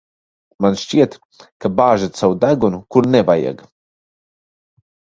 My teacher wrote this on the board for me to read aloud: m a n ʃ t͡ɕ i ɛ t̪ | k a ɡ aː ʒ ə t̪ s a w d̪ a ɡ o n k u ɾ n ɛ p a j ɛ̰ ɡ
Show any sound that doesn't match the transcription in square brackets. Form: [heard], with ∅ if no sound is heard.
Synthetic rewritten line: m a n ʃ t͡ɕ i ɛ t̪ | k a [b] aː ʒ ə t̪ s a w d̪ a ɡ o n k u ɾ n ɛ [b] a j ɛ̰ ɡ